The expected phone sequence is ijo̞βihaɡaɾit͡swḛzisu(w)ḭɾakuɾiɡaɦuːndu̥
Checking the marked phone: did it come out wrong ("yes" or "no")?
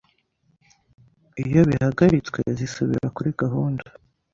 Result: yes